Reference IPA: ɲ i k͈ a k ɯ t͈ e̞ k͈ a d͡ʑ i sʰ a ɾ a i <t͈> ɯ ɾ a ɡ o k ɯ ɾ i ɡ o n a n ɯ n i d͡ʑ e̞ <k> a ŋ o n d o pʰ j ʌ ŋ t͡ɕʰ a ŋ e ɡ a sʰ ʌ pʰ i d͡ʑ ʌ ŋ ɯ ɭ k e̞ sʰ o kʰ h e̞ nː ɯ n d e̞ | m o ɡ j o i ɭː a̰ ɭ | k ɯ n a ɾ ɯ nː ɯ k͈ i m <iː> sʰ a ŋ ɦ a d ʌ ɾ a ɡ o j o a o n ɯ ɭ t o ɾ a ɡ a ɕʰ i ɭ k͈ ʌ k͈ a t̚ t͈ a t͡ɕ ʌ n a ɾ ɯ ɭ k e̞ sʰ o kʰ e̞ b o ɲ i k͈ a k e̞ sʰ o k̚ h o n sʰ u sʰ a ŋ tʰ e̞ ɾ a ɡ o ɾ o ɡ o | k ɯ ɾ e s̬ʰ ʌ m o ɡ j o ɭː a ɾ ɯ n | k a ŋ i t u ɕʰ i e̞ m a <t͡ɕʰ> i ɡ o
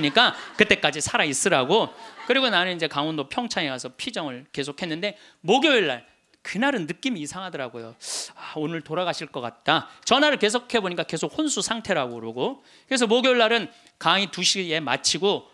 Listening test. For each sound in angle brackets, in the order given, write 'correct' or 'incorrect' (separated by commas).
incorrect, correct, correct, correct